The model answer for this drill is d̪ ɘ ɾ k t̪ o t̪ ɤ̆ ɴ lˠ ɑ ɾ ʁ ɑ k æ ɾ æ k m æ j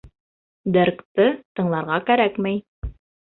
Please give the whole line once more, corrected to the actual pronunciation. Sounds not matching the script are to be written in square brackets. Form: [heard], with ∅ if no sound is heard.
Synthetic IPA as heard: d̪ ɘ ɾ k t̪ [ɤ] t̪ ɤ̆ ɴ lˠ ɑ ɾ ʁ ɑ k æ ɾ æ k m æ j